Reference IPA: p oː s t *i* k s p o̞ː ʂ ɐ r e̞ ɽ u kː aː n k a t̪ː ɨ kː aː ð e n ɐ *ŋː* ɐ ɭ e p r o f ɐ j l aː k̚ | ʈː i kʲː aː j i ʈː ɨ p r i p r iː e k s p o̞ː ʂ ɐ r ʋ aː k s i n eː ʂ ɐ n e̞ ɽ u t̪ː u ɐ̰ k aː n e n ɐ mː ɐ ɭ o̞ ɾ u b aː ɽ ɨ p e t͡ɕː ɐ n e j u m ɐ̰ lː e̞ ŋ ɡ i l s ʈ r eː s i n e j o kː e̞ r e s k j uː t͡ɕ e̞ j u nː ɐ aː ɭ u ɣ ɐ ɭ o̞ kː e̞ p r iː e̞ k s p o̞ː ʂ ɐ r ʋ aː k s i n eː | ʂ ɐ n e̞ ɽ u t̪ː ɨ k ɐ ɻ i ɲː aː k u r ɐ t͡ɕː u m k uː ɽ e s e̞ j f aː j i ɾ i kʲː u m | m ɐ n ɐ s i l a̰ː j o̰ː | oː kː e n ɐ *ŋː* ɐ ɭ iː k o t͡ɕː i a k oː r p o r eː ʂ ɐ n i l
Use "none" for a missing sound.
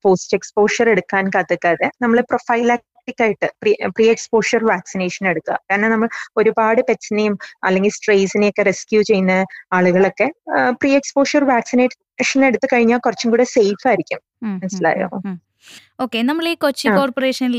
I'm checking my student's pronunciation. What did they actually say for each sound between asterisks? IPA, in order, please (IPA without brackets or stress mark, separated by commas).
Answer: e, mː, mː